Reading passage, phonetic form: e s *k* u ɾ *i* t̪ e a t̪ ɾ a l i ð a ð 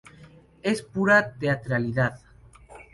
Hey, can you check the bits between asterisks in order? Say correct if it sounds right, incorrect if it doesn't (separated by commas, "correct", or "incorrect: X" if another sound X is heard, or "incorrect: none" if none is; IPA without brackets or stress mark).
incorrect: p, incorrect: a